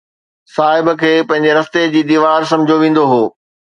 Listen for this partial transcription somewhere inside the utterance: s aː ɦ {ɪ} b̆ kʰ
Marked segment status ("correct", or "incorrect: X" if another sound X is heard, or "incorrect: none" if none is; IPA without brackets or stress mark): correct